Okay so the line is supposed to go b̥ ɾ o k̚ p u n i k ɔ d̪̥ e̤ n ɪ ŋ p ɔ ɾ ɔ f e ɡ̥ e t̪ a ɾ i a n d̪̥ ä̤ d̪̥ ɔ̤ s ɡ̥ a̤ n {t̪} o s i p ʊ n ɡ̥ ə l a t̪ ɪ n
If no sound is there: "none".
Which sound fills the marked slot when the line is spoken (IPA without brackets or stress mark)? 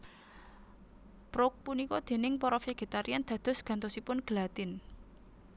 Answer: t̪